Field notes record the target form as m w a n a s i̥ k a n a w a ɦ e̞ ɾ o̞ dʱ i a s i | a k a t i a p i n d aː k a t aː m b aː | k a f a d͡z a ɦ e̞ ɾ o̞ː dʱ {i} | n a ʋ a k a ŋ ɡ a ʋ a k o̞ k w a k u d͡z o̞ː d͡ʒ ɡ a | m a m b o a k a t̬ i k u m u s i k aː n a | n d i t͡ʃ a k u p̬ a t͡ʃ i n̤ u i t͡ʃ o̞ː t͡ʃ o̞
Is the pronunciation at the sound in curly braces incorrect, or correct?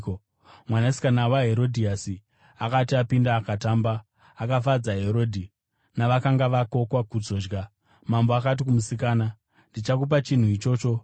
correct